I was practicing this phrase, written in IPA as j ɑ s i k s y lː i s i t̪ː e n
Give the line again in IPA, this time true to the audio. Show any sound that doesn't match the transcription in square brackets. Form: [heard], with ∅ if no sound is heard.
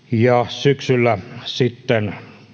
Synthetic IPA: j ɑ s [y] k s y lː [æ] s i t̪ː e n